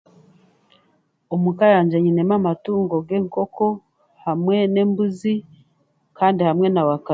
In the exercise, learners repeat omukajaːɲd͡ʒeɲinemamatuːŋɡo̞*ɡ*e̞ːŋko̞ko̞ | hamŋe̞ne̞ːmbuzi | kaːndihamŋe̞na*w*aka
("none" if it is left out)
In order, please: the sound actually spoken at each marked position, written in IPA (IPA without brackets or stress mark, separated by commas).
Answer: ɡ, w